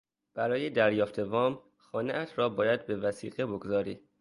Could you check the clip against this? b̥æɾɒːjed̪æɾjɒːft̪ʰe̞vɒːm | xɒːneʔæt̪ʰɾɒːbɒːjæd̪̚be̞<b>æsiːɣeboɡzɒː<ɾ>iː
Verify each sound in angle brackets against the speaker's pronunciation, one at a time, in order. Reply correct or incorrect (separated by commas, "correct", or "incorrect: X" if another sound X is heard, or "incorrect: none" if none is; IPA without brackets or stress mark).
incorrect: v, correct